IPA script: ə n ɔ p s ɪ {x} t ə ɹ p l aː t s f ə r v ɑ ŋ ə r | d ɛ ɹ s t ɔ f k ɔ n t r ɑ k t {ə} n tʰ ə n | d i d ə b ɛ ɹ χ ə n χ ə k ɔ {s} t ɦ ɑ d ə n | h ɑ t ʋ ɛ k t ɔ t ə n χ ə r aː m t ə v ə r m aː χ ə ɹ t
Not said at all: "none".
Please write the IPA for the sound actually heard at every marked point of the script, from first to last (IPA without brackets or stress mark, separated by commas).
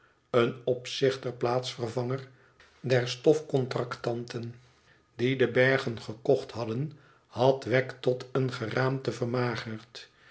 χ, ɑ, χ